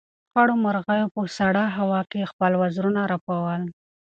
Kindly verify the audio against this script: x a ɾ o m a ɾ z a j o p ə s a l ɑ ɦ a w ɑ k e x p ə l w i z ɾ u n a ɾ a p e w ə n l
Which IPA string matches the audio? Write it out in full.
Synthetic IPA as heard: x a ɽ o m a ɾ ɣ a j o p ə s a ɽ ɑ ɦ a w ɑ k e x p ə l w a z ɾ u n a ɾ a p a w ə l